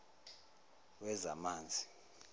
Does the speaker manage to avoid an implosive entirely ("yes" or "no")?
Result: yes